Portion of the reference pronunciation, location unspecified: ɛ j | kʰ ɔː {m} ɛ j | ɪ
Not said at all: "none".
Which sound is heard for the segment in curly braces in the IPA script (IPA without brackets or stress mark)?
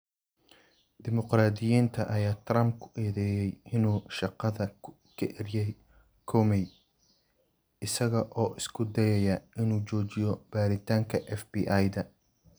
m